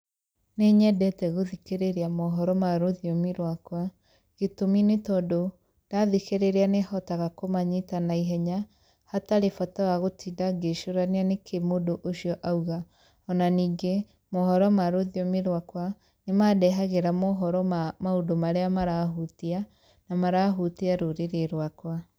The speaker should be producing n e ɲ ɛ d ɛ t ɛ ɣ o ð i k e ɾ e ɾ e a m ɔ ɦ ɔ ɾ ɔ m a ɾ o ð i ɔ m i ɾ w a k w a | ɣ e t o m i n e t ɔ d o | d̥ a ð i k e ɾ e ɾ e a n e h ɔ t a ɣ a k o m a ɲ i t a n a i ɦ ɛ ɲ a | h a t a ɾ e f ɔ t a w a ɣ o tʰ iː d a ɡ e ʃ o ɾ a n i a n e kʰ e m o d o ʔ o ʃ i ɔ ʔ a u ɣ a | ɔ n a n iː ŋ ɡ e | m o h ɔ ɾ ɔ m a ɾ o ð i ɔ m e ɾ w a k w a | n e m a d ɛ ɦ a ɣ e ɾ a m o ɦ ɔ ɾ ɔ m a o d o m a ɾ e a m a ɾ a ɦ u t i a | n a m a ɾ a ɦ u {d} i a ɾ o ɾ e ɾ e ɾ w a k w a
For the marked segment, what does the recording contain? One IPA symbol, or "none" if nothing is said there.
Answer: t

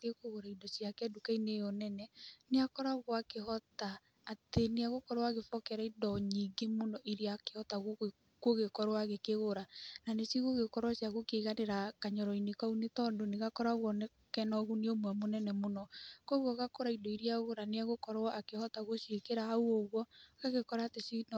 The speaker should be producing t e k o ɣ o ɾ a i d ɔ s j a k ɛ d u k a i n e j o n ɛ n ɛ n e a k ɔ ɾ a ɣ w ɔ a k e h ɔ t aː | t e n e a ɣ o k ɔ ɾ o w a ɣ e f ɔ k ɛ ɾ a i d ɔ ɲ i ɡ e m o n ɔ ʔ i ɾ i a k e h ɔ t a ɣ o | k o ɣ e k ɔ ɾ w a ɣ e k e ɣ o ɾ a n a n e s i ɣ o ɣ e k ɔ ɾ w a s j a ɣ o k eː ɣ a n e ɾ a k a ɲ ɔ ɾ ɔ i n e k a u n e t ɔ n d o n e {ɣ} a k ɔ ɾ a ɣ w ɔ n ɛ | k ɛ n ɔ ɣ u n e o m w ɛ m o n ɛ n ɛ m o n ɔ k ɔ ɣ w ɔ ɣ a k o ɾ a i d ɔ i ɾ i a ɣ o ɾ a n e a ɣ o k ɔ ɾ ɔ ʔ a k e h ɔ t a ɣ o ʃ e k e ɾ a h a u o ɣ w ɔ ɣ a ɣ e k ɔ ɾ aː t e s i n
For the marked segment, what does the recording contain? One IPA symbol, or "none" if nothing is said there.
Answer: ɣ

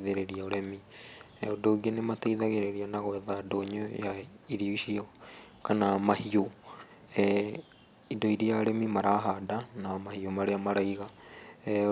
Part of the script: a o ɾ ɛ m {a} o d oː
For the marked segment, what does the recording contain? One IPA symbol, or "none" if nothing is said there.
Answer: i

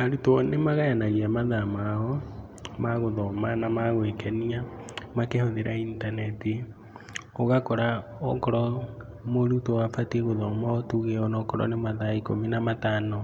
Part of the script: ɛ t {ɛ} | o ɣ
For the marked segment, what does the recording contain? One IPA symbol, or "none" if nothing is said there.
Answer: i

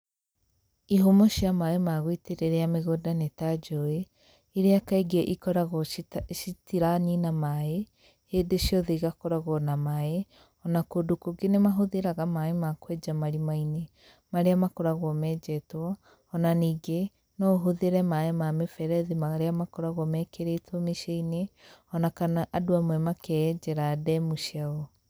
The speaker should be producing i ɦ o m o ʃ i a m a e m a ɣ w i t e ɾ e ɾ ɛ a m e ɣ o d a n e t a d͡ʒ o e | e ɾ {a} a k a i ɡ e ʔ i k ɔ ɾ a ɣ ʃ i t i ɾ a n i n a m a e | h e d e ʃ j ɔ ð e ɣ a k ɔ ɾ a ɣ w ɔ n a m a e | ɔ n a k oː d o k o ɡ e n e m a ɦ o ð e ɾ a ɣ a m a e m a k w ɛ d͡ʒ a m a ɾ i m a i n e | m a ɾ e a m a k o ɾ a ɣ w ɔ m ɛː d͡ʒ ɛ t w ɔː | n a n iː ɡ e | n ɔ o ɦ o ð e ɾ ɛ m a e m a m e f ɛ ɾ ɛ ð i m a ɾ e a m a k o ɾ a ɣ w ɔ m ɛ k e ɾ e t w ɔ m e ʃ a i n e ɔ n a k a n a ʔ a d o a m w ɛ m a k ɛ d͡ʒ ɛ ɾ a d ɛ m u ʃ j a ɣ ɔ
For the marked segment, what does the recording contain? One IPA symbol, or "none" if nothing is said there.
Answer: e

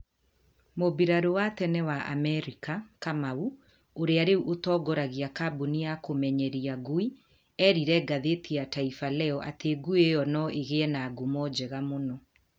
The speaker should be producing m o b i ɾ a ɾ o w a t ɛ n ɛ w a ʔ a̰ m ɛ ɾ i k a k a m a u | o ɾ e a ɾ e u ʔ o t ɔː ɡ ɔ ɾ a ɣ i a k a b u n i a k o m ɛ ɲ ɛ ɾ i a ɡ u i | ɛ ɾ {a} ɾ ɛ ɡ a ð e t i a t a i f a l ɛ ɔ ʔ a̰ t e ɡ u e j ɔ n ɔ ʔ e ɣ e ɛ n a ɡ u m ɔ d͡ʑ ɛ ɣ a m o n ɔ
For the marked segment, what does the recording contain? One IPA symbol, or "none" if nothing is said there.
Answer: i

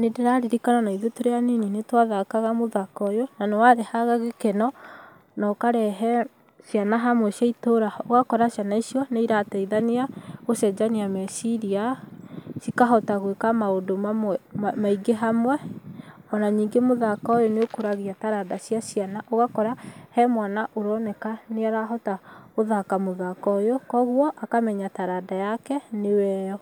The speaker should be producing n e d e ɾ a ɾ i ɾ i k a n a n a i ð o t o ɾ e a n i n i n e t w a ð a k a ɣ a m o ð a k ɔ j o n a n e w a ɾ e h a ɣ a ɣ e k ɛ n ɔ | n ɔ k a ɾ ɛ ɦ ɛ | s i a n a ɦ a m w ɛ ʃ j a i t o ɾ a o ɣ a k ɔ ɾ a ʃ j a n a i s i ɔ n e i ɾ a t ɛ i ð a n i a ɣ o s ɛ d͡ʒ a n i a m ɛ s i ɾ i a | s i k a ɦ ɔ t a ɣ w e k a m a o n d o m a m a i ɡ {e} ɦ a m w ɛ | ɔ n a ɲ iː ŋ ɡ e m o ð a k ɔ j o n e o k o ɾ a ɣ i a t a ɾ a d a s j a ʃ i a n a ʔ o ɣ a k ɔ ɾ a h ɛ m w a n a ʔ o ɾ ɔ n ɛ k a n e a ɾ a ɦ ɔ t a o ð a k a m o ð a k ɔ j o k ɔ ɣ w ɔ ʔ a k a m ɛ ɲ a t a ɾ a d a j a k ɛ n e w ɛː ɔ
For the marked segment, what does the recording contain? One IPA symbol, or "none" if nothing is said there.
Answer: e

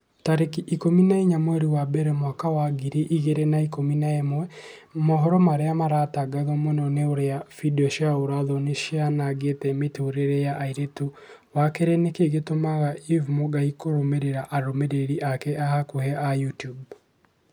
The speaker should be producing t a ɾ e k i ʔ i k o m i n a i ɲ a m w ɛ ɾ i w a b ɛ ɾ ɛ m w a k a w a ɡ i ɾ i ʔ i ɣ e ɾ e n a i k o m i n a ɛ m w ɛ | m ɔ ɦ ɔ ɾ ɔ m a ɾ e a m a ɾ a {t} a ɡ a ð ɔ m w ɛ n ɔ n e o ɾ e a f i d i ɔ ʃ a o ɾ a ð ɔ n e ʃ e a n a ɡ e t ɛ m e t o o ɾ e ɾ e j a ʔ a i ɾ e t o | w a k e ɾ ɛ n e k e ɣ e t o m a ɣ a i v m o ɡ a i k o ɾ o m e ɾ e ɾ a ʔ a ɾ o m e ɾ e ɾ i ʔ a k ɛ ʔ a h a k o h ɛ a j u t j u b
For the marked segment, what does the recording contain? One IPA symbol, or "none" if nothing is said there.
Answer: t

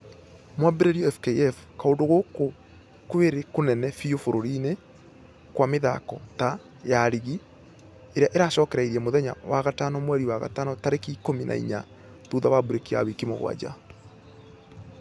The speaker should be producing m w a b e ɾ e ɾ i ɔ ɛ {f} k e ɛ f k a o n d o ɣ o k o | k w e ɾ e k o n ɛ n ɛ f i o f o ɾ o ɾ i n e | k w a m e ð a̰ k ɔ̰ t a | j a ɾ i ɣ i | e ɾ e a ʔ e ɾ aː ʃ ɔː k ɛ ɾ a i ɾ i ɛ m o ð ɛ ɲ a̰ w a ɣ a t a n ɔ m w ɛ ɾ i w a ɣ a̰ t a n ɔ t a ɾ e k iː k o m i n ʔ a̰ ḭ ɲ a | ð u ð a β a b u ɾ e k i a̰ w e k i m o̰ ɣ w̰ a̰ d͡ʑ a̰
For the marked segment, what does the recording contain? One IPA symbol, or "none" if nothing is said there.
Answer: f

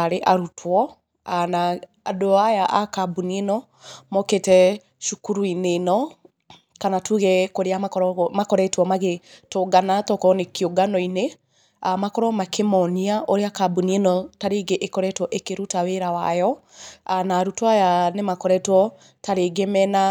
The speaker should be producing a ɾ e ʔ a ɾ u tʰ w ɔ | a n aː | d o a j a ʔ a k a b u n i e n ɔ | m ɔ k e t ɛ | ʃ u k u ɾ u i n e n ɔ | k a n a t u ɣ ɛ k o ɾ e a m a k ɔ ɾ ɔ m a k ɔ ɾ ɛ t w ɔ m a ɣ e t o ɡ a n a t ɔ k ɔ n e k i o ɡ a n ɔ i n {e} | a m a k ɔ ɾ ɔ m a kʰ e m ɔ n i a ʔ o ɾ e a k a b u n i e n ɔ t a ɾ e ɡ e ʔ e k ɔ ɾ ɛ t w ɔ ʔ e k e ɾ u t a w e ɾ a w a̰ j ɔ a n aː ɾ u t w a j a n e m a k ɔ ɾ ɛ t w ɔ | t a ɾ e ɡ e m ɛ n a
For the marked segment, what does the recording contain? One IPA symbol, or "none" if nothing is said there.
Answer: e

